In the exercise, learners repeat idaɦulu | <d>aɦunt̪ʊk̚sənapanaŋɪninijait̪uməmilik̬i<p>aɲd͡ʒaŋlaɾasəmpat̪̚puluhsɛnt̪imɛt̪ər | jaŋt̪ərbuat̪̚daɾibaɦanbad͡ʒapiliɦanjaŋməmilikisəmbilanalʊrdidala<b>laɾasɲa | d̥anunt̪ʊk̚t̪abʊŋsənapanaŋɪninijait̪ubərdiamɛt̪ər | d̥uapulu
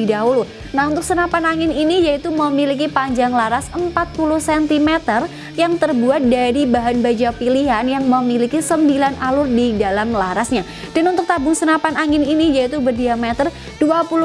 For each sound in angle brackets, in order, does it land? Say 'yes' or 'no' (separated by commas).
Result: no, yes, no